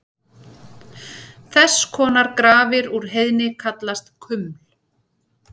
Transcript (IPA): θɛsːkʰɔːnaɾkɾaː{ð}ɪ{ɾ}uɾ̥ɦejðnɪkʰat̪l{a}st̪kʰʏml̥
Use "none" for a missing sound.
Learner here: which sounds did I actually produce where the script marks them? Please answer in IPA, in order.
v, ɾ, a

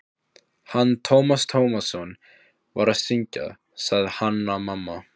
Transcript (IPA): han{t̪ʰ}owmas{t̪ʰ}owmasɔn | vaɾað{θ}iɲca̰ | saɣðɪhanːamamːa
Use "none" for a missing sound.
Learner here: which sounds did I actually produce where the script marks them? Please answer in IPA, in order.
t̪ʰ, t̪ʰ, s

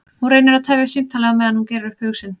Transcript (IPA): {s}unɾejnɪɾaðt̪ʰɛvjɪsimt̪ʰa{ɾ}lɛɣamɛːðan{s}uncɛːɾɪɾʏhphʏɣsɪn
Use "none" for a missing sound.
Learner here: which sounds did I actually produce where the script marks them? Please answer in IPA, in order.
h, none, h

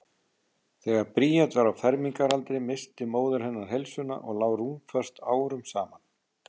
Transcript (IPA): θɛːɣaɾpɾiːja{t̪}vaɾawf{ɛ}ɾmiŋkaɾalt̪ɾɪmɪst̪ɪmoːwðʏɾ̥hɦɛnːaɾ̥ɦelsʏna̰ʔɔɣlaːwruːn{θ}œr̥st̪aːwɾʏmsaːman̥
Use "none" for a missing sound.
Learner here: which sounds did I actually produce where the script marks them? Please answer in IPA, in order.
t̪, ɛ, f

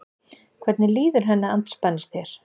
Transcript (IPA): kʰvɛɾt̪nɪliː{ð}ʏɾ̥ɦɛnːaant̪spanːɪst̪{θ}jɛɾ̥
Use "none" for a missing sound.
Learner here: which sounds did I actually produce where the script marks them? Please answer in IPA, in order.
ð, θ

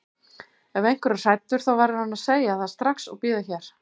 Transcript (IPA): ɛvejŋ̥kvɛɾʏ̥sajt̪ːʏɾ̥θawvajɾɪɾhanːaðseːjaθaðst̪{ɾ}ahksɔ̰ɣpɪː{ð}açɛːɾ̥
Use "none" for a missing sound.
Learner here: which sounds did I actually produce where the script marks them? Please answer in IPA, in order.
ɾ, ð

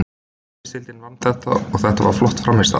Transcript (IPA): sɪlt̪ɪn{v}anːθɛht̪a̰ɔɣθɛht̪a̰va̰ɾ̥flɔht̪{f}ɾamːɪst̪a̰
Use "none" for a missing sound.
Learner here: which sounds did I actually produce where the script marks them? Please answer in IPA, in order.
v, f

